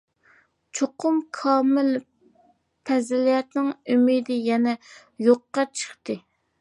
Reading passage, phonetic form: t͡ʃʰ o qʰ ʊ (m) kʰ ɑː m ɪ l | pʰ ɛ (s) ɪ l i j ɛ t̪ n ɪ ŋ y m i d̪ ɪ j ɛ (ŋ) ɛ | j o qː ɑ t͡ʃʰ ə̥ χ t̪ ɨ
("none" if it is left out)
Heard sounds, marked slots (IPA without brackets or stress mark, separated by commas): m, z, n